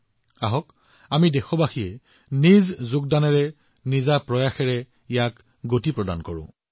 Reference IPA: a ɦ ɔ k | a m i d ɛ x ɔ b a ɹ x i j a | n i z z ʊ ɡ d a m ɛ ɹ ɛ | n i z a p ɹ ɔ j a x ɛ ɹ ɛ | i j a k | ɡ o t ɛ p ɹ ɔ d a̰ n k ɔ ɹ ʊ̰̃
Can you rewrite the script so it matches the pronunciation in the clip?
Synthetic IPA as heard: a ɦ ɔ k | a m i d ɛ x ɔ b a x i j ɛ | n i z z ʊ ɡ d a n ɛ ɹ ɛ | n i z a p ɹ ɔ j a x ɛ ɹ ɛ | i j a k | ɡ o t i p ɹ ɔ d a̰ n k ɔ ɹ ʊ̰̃